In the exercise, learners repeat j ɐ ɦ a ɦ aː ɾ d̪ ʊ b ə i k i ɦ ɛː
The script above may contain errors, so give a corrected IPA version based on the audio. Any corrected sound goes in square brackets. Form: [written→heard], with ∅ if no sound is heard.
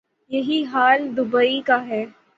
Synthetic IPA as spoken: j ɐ ɦ [a→i] ɦ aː [ɾ→l] d̪ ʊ b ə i k [i→a] ɦ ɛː